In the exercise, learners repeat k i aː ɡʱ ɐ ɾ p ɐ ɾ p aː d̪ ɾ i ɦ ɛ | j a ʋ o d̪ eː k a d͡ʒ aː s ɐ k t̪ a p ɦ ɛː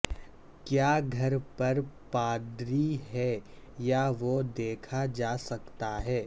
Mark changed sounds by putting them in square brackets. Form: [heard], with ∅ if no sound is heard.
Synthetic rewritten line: k [j] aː ɡʱ ɐ ɾ p ɐ ɾ p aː d̪ ɾ i ɦ ɛ | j a ʋ o d̪ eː [kʰ] a d͡ʒ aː s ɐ k t̪ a [∅] ɦ ɛː